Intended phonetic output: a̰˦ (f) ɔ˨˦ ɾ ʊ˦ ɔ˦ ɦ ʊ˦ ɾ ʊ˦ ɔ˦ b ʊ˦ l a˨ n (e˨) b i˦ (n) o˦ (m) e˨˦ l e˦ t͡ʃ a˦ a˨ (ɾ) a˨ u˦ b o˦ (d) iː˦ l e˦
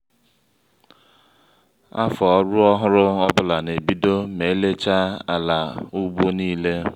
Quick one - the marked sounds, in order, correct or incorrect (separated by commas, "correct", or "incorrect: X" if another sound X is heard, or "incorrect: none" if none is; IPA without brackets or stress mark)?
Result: correct, correct, incorrect: d, correct, incorrect: l, incorrect: n